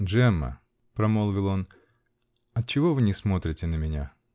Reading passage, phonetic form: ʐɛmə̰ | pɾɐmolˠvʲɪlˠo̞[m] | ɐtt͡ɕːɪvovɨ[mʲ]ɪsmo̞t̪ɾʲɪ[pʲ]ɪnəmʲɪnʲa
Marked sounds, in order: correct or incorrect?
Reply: incorrect: n, incorrect: nʲ, incorrect: tʲ

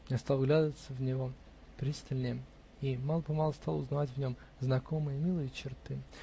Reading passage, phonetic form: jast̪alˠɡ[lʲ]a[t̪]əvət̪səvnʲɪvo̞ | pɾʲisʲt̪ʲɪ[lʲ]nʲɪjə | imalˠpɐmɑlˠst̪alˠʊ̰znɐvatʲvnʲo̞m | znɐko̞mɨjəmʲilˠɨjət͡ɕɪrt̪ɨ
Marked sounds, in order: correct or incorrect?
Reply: correct, incorrect: d̪, correct

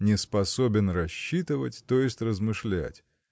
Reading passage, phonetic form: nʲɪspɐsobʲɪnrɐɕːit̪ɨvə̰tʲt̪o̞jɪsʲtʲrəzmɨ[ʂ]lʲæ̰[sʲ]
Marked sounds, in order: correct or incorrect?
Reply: correct, incorrect: tʲ

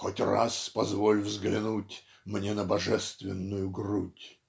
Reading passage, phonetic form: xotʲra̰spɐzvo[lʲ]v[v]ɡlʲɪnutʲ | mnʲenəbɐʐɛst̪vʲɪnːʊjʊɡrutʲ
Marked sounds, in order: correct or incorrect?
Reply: correct, incorrect: z

